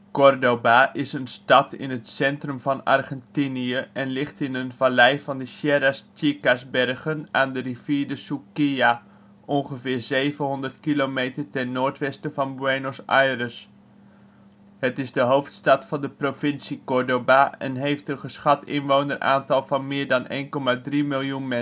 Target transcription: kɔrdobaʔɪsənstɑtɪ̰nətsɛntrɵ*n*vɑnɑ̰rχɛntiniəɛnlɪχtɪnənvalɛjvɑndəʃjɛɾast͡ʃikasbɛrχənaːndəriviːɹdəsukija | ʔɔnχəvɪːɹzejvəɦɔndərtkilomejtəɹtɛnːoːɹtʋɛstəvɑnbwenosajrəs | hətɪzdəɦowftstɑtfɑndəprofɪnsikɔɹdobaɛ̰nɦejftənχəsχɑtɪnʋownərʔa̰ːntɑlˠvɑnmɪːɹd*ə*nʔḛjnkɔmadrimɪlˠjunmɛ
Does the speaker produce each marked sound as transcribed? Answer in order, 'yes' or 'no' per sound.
no, no

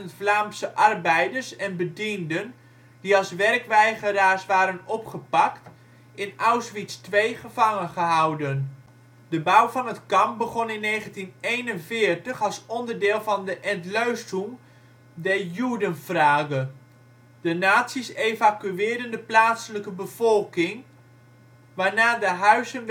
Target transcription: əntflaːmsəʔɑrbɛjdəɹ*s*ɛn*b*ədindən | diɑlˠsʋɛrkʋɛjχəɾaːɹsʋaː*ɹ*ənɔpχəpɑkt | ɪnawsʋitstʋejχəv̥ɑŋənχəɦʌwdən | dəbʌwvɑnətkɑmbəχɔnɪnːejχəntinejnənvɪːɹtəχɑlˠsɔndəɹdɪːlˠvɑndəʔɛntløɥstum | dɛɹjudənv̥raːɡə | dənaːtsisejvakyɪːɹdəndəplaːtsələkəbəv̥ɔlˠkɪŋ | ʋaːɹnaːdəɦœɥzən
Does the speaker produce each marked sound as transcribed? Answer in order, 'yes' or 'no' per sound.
yes, yes, no

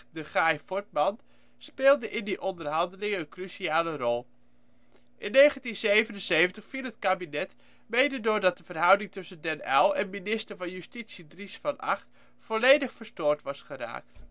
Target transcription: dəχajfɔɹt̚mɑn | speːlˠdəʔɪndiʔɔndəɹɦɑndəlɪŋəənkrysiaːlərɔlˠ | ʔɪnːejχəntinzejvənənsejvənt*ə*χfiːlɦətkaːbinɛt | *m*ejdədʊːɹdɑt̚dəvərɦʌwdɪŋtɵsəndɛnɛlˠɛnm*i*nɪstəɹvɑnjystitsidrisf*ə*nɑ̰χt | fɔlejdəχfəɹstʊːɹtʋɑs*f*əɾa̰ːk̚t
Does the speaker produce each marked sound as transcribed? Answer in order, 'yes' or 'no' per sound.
yes, yes, yes, no, no

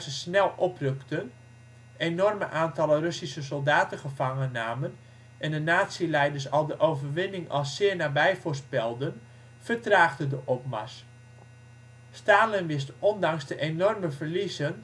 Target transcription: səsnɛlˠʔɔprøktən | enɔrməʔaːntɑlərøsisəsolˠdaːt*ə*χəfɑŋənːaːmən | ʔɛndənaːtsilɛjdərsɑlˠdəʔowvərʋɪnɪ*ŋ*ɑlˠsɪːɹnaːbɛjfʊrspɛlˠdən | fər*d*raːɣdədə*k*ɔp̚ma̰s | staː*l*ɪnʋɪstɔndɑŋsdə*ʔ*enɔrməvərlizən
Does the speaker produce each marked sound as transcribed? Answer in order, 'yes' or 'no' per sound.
yes, yes, no, no, yes, yes

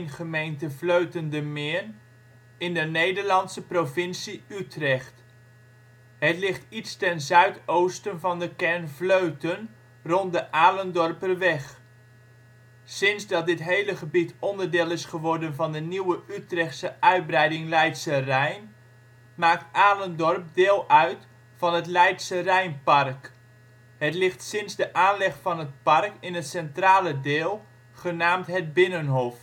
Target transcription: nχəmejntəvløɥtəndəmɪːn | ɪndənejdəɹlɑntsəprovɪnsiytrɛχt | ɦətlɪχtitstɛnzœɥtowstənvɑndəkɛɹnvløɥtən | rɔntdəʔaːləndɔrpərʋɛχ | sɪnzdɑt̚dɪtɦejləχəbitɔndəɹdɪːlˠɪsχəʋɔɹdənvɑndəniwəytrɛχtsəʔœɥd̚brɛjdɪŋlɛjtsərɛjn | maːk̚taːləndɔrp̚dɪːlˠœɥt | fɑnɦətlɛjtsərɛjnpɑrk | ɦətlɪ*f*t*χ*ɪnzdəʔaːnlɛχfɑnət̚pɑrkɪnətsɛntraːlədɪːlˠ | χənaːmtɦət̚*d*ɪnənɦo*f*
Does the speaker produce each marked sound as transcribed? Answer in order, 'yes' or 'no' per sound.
no, no, no, yes

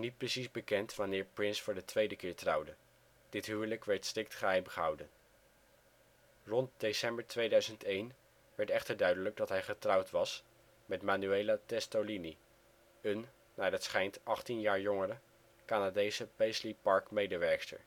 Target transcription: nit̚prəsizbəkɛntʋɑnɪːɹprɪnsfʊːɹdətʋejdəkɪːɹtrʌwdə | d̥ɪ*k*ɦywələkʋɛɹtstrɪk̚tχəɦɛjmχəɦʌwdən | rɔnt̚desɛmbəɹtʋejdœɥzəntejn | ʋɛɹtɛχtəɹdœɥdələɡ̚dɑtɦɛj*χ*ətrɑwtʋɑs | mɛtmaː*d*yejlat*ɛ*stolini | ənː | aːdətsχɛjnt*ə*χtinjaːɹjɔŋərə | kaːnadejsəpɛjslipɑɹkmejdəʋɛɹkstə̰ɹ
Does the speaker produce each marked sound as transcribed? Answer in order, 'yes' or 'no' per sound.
no, yes, no, yes, no

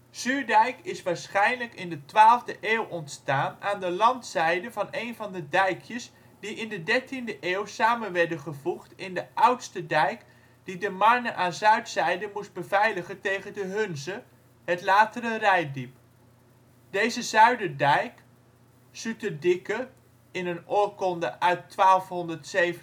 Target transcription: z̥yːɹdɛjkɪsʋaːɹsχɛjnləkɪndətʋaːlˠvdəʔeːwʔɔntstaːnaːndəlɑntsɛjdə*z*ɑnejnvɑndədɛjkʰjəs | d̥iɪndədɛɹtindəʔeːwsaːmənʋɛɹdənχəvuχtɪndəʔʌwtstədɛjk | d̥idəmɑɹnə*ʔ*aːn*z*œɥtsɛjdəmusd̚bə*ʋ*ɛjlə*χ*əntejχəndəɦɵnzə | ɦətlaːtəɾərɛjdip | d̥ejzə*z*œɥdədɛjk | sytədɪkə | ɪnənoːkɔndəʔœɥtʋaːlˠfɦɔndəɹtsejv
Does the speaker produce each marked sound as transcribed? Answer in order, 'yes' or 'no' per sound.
no, yes, yes, no, yes, yes

